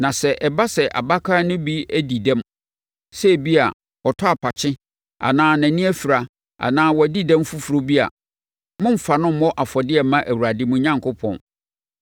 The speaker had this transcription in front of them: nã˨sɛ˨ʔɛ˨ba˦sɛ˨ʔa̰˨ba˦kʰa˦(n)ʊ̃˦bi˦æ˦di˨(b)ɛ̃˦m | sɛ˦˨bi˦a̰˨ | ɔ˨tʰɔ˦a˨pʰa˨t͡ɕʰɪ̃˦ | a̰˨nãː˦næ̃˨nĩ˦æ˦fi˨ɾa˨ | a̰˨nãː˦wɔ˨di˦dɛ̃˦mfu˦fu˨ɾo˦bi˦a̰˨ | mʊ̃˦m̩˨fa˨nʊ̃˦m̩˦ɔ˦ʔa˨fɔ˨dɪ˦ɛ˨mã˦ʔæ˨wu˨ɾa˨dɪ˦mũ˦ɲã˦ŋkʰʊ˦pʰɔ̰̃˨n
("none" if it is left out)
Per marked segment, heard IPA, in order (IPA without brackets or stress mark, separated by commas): n, d